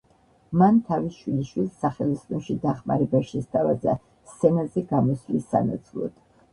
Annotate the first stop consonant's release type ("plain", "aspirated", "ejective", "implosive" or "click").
aspirated